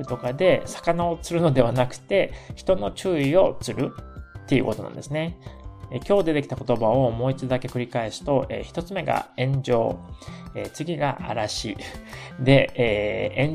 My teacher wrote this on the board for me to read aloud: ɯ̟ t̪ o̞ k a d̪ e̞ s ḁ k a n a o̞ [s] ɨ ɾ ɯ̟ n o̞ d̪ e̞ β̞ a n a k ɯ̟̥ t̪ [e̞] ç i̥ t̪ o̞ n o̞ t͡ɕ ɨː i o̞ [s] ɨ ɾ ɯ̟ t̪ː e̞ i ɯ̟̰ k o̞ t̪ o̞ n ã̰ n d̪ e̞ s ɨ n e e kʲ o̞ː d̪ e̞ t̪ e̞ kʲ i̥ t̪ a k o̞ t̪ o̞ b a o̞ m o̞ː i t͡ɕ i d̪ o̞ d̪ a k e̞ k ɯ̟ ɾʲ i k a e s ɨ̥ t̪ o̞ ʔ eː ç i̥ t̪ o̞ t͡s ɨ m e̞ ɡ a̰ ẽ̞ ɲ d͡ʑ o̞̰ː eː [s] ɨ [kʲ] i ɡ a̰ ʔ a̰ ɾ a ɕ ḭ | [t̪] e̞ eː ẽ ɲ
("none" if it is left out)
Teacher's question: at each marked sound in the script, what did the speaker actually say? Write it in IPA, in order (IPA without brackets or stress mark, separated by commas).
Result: t͡s, e̞, t͡s, t͡s, ɡʲ, d̪